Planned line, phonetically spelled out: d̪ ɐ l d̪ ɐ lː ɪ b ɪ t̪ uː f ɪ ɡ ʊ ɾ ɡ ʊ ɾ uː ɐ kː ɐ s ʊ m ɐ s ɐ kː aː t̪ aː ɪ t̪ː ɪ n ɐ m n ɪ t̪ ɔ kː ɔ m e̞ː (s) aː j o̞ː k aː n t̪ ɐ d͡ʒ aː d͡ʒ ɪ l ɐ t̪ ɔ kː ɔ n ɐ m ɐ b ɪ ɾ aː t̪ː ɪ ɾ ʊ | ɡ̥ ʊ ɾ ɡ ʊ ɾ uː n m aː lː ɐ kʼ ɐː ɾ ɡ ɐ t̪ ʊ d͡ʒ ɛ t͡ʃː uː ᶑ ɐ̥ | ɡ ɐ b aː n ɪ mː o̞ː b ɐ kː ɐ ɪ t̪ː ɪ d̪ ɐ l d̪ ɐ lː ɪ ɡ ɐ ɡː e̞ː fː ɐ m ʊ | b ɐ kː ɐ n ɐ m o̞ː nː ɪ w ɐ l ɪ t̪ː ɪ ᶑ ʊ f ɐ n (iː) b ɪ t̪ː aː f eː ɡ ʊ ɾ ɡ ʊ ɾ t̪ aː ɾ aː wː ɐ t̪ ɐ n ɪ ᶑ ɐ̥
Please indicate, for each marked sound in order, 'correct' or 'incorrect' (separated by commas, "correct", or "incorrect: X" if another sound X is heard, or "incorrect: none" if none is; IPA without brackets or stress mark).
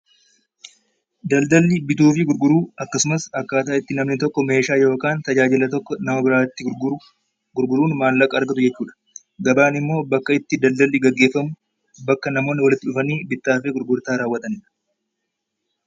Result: incorrect: ʃ, correct